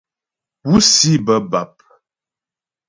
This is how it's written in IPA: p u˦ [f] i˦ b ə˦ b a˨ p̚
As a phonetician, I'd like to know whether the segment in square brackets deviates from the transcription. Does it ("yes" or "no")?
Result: yes